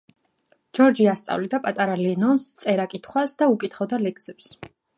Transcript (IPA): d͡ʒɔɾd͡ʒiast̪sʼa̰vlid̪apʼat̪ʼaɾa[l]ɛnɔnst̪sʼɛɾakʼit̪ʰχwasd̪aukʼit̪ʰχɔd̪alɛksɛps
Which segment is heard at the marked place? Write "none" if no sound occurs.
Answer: l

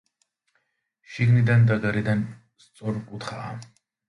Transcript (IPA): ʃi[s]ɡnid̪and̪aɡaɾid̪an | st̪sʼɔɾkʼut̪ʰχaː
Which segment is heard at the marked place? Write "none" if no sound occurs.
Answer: none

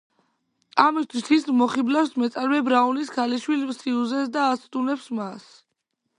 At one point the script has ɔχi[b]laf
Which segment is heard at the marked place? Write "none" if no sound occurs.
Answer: b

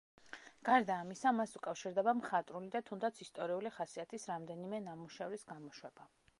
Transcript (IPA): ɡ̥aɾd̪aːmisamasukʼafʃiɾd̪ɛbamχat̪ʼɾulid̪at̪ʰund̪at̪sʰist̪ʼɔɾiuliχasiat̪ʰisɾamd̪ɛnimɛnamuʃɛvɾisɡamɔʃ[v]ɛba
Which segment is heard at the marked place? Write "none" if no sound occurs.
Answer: w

